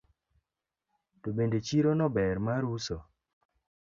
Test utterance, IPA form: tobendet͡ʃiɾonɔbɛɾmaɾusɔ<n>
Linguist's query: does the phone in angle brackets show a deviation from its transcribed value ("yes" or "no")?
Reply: yes